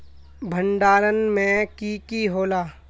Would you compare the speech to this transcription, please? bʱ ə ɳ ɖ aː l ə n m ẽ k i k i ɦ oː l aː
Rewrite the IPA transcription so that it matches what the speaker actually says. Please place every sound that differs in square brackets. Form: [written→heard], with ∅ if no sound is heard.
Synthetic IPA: bʱ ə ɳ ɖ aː [l→ɾ] ə n m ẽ k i k i ɦ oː l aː